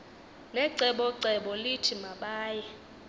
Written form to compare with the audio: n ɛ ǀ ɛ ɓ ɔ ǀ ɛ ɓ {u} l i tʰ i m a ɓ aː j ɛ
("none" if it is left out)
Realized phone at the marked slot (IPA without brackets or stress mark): ɔ